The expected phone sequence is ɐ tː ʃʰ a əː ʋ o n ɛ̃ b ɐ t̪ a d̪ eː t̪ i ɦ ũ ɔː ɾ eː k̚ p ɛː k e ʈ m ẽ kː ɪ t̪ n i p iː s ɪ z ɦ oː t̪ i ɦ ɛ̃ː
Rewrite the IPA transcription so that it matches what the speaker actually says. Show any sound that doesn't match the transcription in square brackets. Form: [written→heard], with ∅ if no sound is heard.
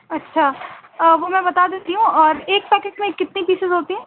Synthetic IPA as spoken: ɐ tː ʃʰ a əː ʋ o [n→m] ɛ̃ b ɐ t̪ a d̪ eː t̪ i ɦ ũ ɔː ɾ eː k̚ p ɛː k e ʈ m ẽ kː ɪ t̪ n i p iː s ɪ z ɦ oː t̪ i ɦ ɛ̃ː